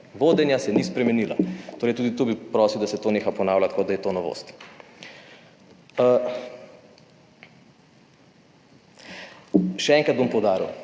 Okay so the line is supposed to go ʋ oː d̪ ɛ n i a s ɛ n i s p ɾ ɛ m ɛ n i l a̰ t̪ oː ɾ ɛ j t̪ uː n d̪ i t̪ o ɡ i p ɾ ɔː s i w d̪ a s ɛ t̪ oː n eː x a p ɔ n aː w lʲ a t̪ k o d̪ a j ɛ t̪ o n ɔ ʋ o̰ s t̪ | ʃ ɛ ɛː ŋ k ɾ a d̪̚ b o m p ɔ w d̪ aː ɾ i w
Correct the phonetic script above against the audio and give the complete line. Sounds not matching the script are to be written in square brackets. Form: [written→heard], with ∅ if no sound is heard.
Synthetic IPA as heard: ʋ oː d̪ ɛ n [i→j] a s ɛ n i s p ɾ ɛ m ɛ n i l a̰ t̪ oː ɾ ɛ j t̪ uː [n→∅] d̪ i t̪ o [ɡ→b] i p ɾ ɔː s i w d̪ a s ɛ t̪ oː n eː x a p ɔ n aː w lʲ a t̪ k o d̪ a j ɛ t̪ o n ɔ ʋ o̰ s t̪ | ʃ ɛ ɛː ŋ k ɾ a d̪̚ b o m p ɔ w d̪ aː ɾ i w